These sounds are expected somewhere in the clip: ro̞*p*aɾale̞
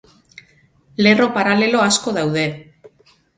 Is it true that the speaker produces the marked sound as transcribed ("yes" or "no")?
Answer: yes